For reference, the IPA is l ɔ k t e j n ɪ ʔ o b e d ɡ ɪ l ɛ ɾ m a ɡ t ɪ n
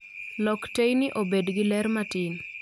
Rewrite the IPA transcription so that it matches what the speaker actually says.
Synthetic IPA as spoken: l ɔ k t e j n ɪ ʔ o b e d ɡ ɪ l ɛ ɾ m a t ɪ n